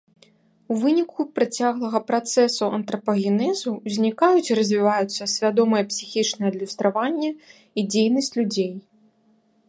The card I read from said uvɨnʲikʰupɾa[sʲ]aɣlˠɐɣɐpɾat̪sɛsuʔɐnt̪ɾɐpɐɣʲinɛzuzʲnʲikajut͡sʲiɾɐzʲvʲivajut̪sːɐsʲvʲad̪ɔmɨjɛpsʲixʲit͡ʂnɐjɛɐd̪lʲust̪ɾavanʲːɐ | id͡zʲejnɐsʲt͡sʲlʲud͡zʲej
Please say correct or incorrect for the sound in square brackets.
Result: incorrect